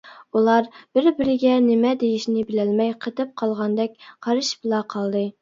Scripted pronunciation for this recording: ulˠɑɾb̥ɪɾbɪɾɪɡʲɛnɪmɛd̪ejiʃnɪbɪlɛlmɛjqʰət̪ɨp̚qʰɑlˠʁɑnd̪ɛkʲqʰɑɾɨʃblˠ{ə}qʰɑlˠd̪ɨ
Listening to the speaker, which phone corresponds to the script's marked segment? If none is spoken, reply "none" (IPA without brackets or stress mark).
ɑ